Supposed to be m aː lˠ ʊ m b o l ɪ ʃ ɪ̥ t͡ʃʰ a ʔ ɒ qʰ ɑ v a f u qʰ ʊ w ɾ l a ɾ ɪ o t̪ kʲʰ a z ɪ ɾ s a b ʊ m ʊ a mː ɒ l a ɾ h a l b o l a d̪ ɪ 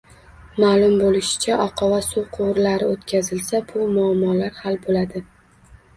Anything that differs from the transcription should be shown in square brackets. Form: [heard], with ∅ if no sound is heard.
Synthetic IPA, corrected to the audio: m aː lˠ ʊ m b o l ɪ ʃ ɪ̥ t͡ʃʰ a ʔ ɒ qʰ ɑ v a [s] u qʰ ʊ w ɾ l a ɾ ɪ o t̪ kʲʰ a z ɪ [l] s a b ʊ m ʊ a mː ɒ l a ɾ h a l b o l a d̪ ɪ